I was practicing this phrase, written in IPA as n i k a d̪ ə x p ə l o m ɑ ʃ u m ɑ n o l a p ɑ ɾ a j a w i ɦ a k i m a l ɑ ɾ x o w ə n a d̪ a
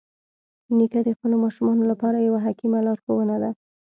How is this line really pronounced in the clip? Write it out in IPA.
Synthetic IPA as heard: n i k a d̪ ə x p ə l o m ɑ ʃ u m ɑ n o l a p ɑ ɾ a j a w a ɦ a k i m a l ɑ ɾ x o w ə n a d̪ a